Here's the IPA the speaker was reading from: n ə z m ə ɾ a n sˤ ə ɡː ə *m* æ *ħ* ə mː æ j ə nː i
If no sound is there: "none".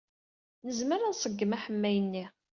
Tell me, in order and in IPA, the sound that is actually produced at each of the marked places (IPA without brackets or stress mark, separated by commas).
m, ħ